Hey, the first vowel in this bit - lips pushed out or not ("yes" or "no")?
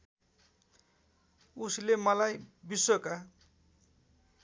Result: yes